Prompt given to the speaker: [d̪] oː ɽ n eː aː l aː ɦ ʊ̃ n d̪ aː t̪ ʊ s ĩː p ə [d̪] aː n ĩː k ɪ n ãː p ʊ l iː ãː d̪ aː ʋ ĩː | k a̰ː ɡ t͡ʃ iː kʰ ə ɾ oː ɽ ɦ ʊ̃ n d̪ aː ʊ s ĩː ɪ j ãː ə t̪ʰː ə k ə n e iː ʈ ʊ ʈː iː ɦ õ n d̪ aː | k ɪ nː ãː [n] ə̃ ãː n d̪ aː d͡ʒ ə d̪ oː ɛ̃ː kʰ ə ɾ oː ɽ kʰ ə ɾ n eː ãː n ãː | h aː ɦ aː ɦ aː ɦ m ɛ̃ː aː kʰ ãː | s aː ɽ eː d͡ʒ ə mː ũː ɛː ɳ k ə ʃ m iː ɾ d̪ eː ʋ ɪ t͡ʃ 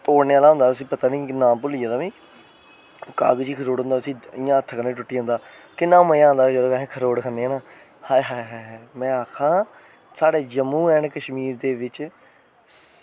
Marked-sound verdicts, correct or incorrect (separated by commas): incorrect, incorrect, incorrect